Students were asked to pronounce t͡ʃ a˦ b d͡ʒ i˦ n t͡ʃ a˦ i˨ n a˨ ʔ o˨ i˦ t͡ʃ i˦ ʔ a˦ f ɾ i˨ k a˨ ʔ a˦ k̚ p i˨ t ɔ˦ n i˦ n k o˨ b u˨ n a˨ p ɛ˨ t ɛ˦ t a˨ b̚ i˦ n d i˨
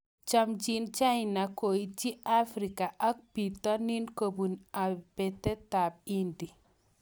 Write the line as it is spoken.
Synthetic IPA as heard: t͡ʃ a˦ m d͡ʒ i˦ n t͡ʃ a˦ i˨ n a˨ k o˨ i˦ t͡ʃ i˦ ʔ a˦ f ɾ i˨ k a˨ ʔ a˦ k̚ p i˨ t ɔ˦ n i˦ n k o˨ b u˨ n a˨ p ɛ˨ t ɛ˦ t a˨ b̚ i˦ n d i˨

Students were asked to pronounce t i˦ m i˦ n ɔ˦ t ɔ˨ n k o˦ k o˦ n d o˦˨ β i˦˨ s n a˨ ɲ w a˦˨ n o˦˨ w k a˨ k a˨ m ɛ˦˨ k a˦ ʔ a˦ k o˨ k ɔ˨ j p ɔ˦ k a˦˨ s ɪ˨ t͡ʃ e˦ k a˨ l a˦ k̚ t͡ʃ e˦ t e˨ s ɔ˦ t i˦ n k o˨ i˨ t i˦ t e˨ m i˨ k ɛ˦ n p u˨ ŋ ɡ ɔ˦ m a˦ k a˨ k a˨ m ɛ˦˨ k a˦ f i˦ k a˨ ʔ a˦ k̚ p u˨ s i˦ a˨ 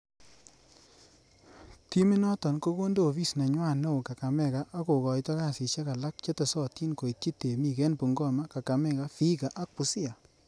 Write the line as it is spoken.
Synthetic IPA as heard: t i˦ m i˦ n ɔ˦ t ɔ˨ n k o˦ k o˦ n d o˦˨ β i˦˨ s n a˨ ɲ w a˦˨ n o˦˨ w k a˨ k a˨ m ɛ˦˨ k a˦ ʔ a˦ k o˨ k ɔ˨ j t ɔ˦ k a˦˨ s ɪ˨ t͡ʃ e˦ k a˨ l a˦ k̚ t͡ʃ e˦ t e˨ s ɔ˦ t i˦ n k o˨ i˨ t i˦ t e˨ m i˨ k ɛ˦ n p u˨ ŋ ɡ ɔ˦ m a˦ k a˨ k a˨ m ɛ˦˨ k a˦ f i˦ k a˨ ʔ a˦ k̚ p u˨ s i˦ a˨

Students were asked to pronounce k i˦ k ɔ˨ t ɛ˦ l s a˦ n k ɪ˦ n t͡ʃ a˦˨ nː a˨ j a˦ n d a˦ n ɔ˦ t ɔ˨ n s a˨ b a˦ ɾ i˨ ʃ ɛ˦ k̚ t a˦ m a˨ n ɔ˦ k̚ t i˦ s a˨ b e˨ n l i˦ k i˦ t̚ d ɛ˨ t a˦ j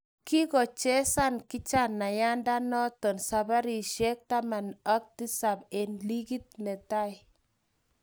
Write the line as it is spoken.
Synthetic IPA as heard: k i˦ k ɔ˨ t͡ʃ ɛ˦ s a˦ n k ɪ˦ t͡ʃ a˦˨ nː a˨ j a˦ n d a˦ n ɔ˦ t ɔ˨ n s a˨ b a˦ ɾ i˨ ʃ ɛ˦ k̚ t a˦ m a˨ n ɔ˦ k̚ t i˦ s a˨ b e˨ n l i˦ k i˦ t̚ n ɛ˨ t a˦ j

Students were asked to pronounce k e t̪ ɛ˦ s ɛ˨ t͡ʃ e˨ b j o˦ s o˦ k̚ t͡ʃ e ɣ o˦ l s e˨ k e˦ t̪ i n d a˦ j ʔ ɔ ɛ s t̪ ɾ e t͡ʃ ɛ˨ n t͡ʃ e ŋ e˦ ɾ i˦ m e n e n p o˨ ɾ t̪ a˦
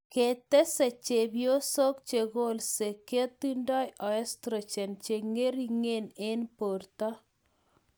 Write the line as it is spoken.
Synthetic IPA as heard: k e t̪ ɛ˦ s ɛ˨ t͡ʃ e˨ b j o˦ s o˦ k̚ t͡ʃ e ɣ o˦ l s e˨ k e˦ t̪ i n d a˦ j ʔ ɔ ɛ s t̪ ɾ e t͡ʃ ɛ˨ n t͡ʃ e ŋ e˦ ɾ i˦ ŋ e n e n p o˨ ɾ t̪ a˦

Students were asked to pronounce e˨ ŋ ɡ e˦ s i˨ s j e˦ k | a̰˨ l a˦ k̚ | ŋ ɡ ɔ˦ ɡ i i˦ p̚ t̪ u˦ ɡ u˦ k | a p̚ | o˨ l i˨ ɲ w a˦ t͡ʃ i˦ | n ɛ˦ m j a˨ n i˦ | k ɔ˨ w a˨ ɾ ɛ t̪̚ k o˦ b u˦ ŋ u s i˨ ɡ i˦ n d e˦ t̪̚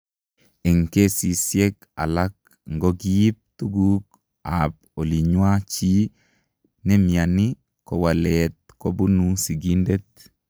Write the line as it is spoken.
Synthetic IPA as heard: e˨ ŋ k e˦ s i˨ s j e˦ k | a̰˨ l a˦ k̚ | ŋ ɡ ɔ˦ ɡ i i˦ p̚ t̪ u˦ ɡ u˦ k | a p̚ | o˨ l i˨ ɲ w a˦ t͡ʃ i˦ | n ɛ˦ m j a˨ n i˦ | k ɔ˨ w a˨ l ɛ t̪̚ k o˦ b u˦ n u s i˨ ɡ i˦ n d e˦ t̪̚

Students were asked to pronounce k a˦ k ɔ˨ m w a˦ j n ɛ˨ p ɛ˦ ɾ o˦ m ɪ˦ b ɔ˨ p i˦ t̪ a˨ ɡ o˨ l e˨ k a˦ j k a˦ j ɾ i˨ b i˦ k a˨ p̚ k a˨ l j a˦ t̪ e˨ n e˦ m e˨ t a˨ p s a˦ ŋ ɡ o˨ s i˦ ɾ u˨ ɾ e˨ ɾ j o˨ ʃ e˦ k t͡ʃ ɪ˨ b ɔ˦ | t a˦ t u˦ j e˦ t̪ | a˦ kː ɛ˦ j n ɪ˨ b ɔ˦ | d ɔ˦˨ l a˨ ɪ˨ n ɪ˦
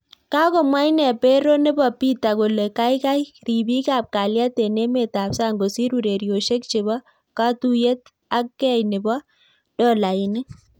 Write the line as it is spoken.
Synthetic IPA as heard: k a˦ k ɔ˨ m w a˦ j n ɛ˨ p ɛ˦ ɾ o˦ n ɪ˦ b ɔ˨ p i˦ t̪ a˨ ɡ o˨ l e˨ k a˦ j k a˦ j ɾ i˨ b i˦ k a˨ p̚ k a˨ l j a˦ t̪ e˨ n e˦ m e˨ t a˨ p s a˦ ŋ ɡ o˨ s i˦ ɾ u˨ ɾ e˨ ɾ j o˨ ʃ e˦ k t͡ʃ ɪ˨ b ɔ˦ | k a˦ t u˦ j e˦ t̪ | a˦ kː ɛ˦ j n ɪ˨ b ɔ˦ | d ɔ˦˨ l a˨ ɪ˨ n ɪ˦

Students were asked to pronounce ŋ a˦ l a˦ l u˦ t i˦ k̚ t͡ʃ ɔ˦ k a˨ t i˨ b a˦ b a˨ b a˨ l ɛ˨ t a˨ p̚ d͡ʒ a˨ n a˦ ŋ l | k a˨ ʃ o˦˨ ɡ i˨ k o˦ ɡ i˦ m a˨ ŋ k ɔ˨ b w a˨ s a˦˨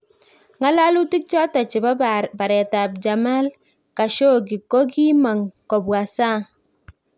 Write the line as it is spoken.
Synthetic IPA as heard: ŋ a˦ l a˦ l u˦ t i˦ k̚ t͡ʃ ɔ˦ t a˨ t͡ʃ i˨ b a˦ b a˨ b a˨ ɾ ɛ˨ t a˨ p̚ d͡ʒ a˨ m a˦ l | k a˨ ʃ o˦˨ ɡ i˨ k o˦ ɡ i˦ m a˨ ŋ k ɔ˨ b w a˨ s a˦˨

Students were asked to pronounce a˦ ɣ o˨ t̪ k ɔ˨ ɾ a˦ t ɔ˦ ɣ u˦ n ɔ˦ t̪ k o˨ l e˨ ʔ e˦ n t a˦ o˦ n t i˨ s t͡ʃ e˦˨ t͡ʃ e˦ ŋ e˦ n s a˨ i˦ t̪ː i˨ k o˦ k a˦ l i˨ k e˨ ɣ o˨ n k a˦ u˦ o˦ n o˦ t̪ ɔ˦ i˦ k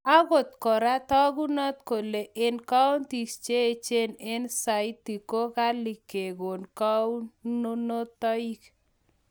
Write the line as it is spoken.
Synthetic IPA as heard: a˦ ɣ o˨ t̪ k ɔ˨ ɾ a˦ t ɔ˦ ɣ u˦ n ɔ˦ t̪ k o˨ l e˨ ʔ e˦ n k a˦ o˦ n t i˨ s t͡ʃ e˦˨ t͡ʃ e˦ n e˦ n s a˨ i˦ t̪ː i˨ k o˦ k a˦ l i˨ k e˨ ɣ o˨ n k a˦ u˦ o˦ n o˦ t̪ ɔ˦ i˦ k

